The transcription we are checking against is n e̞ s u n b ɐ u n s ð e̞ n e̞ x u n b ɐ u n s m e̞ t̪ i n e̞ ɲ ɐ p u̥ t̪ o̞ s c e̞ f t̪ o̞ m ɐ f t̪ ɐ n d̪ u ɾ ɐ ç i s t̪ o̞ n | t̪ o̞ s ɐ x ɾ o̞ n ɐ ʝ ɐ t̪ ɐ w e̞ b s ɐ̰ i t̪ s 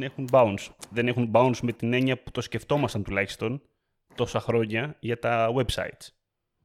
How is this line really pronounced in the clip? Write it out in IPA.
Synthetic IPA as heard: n e̞ x u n b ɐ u n s ð e̞ n e̞ x u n b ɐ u n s m e̞ t̪ i n e̞ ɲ ɐ p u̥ t̪ o̞ s c e̞ f t̪ o̞ m ɐ s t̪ ɐ n t̪ u l ɐ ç i s t̪ o̞ n | t̪ o̞ s ɐ x ɾ o̞ ɲ ɐ ʝ ɐ t̪ ɐ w e̞ b s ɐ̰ i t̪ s